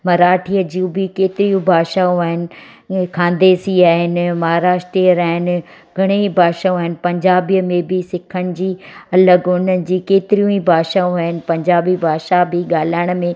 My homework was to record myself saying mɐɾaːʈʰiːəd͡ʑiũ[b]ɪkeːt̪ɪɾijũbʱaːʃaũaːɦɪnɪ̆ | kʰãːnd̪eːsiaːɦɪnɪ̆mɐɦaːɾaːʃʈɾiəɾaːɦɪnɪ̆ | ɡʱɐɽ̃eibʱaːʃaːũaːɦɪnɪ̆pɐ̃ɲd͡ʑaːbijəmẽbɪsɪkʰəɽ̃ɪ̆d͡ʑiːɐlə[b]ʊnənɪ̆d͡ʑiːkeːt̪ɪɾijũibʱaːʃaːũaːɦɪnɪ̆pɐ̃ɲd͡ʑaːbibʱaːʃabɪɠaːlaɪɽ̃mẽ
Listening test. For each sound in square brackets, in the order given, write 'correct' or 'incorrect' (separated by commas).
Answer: correct, incorrect